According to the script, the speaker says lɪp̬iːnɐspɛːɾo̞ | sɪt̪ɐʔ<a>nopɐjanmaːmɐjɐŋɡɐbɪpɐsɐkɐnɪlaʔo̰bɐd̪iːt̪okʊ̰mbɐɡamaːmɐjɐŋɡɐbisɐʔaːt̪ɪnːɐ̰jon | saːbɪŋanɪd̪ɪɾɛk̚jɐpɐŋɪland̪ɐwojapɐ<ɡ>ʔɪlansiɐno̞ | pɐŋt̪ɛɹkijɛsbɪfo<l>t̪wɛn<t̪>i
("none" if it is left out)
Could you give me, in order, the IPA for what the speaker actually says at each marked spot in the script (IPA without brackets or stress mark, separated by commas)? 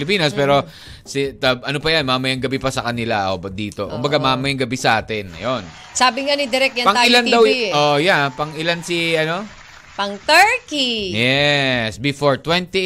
ɐ, ŋ, ɹ, t̪